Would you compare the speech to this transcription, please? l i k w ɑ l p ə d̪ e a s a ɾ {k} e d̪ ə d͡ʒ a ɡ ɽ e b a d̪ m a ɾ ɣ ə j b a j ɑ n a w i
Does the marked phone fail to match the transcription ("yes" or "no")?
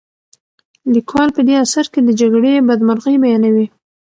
no